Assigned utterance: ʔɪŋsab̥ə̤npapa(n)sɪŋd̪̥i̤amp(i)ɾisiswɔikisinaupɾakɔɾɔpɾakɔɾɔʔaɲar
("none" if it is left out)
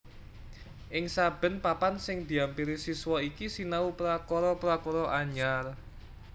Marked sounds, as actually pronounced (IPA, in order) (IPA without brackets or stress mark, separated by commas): n, i